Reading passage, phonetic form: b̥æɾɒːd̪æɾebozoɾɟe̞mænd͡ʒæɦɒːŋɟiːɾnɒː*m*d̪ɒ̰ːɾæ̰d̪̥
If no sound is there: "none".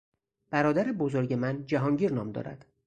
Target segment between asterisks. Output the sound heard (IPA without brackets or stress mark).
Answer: m